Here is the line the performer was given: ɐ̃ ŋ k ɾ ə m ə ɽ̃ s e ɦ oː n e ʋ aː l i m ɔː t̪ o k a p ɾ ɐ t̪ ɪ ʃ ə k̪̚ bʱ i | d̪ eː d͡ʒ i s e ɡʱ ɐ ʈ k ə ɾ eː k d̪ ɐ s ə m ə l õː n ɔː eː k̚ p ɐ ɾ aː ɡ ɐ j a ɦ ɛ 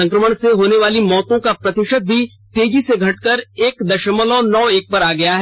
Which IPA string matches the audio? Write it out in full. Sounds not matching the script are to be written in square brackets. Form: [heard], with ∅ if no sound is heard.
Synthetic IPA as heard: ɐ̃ ŋ k ɾ ə m ə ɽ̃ s e ɦ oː n e ʋ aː l i m ɔː t̪ [õ] k a p ɾ ɐ t̪ ɪ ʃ ə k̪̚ bʱ i | [t̪] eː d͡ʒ i s e ɡʱ ɐ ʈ k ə ɾ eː k d̪ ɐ [ʃ] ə m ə l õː n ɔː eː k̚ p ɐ ɾ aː ɡ ɐ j a ɦ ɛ